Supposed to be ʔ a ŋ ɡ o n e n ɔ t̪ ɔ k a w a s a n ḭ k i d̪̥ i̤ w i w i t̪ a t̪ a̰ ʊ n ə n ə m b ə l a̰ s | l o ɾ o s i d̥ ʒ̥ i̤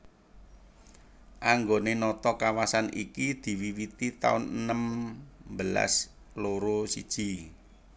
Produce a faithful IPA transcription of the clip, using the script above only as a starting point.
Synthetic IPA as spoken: ʔ a ŋ ɡ o n e n ɔ t̪ ɔ k a w a s a n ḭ k i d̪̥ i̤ w i w i t̪ i t̪ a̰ ʊ n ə n ə m b ə l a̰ s | l o ɾ o s i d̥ ʒ̥ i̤